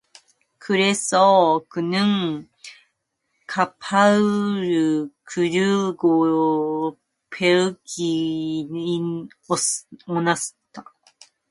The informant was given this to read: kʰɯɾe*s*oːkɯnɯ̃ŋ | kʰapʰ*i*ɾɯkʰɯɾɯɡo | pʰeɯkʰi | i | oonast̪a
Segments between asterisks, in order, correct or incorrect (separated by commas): correct, incorrect